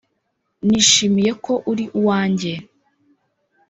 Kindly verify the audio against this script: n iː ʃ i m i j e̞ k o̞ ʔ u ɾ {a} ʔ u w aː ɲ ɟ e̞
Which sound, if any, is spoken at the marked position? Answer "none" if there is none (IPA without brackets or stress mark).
i